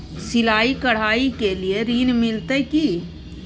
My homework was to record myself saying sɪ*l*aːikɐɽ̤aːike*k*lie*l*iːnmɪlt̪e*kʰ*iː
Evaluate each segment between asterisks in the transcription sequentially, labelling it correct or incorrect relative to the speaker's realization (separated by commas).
correct, incorrect, incorrect, incorrect